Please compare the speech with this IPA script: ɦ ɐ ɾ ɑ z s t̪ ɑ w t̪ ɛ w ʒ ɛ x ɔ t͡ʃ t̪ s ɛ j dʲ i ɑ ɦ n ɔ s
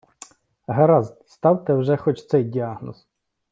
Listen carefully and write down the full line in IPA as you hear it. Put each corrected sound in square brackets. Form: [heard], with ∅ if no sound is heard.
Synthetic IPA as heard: ɦ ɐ ɾ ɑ z s t̪ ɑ w t̪ ɛ w ʒ ɛ x ɔ t͡ʃ t̪ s ɛ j dʲ i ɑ ɦ n ɔ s